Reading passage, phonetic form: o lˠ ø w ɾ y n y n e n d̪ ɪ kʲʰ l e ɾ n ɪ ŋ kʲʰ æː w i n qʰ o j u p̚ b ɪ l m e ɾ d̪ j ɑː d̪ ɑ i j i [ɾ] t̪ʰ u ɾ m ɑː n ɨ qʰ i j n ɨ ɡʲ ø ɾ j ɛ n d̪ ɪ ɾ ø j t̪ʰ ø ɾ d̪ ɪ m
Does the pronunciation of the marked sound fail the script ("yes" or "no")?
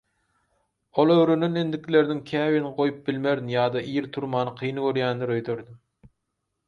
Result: no